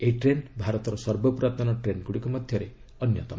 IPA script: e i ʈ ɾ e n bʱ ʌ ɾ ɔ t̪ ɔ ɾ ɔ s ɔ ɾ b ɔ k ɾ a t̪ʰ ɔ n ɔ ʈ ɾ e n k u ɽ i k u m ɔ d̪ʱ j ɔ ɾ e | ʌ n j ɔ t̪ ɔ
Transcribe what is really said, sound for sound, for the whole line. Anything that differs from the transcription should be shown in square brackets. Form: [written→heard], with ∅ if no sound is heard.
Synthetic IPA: e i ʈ ɾ e n bʱ [ʌ→a] ɾ ɔ t̪ ɔ ɾ ɔ s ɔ ɾ b ɔ [k→p] ɾ a [t̪ʰ→t̪] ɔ n ɔ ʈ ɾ e n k u ɽ i k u m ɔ d̪ʱ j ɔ ɾ e | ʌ n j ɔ t̪ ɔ